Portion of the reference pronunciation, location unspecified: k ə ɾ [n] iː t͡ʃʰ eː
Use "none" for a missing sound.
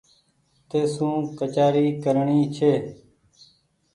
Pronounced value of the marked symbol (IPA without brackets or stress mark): ɳ